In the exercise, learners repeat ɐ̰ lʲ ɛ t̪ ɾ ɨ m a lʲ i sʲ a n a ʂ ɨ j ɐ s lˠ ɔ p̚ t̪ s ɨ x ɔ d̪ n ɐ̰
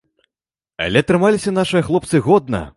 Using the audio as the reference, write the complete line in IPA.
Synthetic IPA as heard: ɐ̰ lʲ ɛ t̪ ɾ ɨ m a lʲ i sʲ ɐ n a ʂ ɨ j ɐ x lˠ ɔ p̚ t̪ s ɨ ɣ ɔ d̪ n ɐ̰

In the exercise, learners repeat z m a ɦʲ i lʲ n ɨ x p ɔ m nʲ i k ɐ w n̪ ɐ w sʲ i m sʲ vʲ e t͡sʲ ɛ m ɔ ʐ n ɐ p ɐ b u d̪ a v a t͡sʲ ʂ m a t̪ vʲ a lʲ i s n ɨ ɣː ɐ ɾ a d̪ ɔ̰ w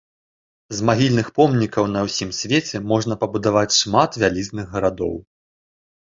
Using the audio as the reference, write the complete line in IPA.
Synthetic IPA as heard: z m a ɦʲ i lʲ n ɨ x p ɔ m nʲ i k ɐ w n̪ ɐ w sʲ i m sʲ vʲ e t͡sʲ ɛ m ɔ ʐ n ɐ p ɐ b u d̪ a v a t͡sʲ ʂ m a t̪ vʲ a lʲ i z n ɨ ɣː ɐ ɾ a d̪ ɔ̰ w

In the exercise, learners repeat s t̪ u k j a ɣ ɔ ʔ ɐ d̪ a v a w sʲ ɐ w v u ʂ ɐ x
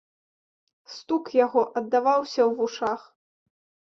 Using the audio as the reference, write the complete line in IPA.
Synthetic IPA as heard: s t̪ u k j a ɣ ɔ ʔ ɐ d̪ː a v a w sʲ ɐ w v u ʂ a x

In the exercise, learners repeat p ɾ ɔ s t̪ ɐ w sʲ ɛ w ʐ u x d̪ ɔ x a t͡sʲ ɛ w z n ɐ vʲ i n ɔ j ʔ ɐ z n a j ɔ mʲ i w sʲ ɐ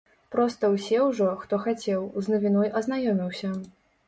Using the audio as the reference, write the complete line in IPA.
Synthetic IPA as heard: p ɾ ɔ s t̪ ɐ w sʲ ɛ w ʐ ɔ x t̪ ɔ x a t͡sʲ ɛ w z n ɐ vʲ i n ɔ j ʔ ɐ z n a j ɔ mʲ i w sʲ ɐ

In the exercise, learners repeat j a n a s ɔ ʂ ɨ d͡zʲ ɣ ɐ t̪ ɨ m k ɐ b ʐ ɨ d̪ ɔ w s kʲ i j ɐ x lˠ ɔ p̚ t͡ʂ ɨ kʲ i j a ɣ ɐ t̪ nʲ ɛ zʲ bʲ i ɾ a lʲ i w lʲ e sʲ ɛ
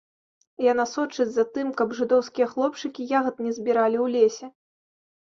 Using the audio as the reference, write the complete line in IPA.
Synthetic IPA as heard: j a n a s ɔ t͡ʂ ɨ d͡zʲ z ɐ t̪ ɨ m k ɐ b ʐ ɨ d̪ ɔ w s kʲ i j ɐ x lˠ ɔ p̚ t͡ʂ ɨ kʲ i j a ɣ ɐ t̪ nʲ ɛ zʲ bʲ i ɾ a lʲ i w lʲ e sʲ ɛ

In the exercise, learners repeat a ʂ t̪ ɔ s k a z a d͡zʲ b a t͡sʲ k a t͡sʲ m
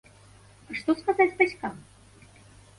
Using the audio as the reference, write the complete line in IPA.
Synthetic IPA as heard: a ʂ t̪ ɔ s k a z a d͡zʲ b a t͡sʲ k a m

